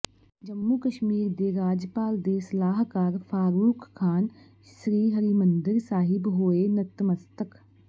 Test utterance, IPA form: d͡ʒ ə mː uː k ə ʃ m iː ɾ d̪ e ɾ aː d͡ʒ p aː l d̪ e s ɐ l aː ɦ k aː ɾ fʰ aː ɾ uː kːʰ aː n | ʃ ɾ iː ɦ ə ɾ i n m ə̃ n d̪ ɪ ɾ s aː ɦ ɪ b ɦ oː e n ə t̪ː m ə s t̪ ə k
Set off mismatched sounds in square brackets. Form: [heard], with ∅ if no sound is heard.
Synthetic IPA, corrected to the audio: d͡ʒ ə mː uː k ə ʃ m iː ɾ d̪ e ɾ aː d͡ʒ p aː l d̪ e s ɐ l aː ɦ k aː ɾ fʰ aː ɾ uː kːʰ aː n | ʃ ɾ iː ɦ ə ɾ i [∅] m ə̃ n d̪ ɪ ɾ s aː ɦ ɪ b ɦ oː e n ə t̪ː m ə s t̪ ə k